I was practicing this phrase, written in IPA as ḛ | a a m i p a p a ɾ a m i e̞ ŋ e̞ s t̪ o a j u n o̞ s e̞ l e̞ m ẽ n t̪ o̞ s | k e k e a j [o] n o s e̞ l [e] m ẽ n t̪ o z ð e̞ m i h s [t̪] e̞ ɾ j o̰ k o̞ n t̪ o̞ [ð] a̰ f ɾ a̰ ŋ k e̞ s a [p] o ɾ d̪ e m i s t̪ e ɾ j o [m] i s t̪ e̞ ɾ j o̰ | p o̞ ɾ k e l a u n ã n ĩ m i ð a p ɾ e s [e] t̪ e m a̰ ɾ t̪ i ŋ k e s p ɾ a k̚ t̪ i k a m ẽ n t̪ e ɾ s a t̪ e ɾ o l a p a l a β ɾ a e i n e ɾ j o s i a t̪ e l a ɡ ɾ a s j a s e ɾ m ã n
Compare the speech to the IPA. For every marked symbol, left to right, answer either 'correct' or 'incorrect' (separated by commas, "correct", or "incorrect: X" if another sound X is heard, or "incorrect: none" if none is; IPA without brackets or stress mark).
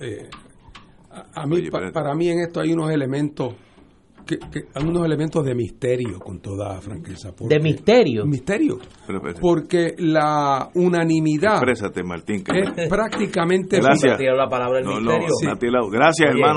incorrect: u, correct, correct, correct, correct, correct, incorrect: a